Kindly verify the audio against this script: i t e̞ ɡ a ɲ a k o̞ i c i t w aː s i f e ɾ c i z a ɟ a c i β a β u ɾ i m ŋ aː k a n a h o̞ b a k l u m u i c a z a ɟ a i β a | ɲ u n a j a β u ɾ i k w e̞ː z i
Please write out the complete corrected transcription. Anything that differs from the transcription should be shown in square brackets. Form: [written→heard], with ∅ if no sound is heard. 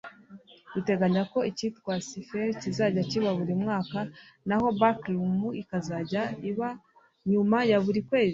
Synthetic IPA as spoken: i t e̞ ɡ a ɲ a k o̞ i c i t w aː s i f e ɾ c i z a ɟ a c i β a β u ɾ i m ŋ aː k a n a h o̞ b a k l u m u i [c→k] a z a ɟ a i β a | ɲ u [n→m] a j a β u ɾ i k w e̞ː z i